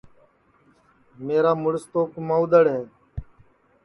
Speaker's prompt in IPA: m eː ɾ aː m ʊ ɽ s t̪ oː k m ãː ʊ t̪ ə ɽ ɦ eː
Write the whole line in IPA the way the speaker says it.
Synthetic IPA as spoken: m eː ɾ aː m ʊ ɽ s t̪ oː k m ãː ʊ d̪ ə ɽ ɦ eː